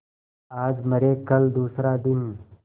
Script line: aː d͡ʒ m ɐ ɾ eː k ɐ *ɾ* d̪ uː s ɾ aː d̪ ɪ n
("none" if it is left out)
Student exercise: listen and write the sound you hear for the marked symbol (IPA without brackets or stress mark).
l